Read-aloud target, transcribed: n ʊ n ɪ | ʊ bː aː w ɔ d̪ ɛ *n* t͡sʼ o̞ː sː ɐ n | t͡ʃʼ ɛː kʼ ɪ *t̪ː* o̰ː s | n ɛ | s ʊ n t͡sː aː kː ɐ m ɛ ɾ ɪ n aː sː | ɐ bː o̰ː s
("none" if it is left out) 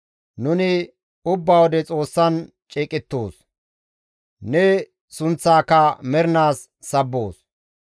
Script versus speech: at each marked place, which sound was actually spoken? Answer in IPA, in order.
none, t̪ː

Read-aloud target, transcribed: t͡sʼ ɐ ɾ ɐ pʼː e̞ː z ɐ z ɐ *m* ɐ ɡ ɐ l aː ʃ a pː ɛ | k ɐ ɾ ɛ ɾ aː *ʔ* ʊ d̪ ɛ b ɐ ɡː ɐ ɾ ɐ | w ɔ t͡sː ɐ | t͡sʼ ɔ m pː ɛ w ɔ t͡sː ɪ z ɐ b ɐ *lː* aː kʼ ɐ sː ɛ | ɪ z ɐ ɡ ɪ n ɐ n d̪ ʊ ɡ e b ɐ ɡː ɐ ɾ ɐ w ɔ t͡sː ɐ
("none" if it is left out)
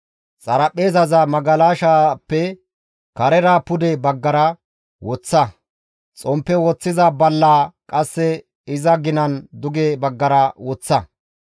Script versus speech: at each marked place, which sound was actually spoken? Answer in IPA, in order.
m, p, lː

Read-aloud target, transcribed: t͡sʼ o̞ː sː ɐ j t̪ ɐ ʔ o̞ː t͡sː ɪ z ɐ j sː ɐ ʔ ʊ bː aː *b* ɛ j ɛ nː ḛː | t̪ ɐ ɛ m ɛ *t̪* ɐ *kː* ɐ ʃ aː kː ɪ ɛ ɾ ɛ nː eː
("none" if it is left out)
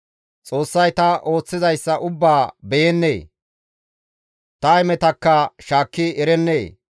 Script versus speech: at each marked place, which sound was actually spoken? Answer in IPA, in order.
b, t̪, kː

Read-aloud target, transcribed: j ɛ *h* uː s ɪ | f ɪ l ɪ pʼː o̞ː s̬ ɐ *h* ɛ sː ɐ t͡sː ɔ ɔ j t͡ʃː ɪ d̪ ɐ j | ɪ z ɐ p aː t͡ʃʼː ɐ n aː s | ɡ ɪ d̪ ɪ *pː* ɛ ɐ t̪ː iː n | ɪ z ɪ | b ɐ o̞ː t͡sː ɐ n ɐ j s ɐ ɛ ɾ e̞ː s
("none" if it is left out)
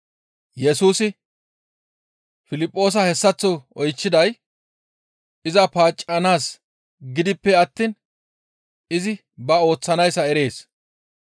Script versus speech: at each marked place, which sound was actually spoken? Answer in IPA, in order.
s, h, pː

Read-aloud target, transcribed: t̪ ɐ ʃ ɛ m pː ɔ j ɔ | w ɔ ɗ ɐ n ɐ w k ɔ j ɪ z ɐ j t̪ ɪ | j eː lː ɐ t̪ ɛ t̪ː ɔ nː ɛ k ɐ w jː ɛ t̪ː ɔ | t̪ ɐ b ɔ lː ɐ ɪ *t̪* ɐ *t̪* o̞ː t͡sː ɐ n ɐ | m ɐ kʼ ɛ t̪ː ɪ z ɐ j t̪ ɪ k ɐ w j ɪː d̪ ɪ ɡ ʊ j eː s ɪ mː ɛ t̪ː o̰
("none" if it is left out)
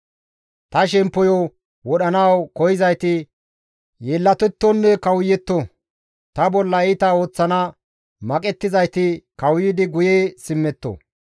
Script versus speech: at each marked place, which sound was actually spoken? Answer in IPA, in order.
t̪, none

